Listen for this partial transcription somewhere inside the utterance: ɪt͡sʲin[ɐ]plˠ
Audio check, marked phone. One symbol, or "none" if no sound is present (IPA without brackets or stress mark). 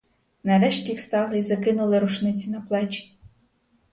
ɐ